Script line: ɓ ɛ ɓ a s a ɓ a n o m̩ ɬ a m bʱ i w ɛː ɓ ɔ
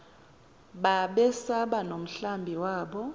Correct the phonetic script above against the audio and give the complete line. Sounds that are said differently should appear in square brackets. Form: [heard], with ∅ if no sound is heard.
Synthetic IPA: ɓ [a] ɓ [ɛ] s a ɓ a n o m̩ ɬ a m bʱ i w [aː] ɓ ɔ